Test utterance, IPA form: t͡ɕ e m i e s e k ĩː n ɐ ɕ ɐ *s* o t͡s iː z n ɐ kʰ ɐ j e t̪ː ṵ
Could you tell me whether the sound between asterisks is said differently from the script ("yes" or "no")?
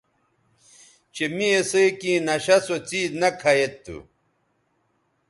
no